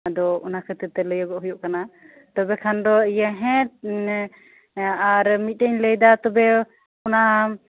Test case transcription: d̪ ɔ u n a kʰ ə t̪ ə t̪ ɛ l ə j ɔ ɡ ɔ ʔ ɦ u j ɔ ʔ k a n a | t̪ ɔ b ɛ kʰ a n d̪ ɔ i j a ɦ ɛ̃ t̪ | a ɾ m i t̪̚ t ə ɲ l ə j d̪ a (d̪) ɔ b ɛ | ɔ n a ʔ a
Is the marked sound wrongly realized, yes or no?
yes